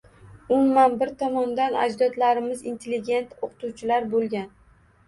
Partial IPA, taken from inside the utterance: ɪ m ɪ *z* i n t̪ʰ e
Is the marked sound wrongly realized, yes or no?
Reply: no